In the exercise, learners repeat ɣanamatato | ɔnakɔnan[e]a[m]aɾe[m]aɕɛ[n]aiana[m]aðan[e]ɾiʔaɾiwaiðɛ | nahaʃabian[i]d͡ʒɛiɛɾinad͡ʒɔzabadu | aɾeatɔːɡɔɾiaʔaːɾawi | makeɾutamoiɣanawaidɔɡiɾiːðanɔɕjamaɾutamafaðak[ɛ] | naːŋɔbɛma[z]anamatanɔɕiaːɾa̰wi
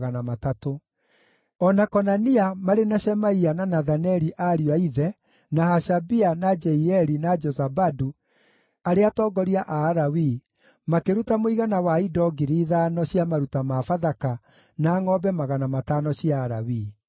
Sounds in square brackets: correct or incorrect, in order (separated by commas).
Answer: incorrect, correct, incorrect, incorrect, incorrect, incorrect, incorrect, incorrect, incorrect